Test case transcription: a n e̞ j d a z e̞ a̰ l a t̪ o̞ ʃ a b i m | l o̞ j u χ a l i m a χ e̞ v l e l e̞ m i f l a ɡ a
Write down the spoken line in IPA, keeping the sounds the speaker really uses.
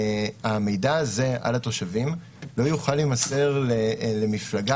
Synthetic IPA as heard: a m e̞ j d a z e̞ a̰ l a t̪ o̞ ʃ a v i m | l o̞ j u χ a l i m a s e̞ ʁ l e l e̞ m i f l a ɡ a